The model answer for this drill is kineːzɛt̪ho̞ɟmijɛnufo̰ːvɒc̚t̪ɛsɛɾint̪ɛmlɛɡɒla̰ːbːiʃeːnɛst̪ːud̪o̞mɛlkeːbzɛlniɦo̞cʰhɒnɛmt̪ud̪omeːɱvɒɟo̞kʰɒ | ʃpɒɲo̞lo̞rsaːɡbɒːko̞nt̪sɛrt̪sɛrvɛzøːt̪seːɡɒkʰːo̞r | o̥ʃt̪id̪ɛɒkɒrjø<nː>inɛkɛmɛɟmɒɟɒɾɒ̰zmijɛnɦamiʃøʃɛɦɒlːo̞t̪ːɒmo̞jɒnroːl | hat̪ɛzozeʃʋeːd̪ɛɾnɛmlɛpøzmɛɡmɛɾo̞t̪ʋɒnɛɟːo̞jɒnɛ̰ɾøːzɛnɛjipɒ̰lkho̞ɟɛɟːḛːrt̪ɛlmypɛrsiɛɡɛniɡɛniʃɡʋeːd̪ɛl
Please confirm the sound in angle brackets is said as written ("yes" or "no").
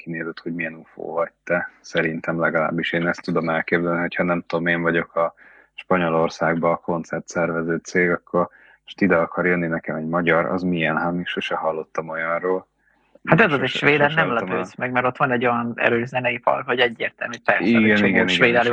yes